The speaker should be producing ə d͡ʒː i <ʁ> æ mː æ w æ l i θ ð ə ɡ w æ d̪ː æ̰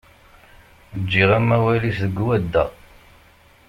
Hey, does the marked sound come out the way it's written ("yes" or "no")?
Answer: yes